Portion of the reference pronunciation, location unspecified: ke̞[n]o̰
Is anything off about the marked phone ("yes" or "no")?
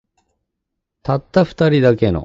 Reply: no